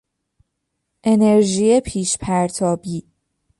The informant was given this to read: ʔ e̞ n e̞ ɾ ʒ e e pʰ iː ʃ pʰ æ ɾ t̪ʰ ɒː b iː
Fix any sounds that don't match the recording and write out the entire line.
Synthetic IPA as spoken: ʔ e̞ n e̞ ɾ ʒ i e pʰ iː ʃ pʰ æ ɾ t̪ʰ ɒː b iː

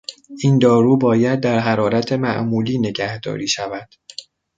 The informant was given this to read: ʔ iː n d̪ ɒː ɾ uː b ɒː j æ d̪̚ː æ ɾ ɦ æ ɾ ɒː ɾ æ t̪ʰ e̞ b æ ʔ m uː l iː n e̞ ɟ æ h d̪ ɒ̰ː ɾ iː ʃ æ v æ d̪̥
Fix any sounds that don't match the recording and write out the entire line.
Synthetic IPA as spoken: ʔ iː n d̪ ɒː ɾ uː b ɒː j æ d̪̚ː æ ɾ ɦ æ ɾ ɒː ɾ æ t̪ʰ e̞ m æ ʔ m uː l iː n e̞ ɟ æ h d̪ ɒ̰ː ɾ iː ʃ æ v æ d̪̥

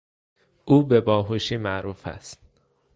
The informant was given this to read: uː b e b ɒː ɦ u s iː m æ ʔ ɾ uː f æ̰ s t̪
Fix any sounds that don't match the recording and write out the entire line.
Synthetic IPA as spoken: uː b e b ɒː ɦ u ʃ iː m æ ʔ ɾ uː f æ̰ s t̪

